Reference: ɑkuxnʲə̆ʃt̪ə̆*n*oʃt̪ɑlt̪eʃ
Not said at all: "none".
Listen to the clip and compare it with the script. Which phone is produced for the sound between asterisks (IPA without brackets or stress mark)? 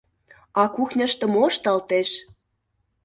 m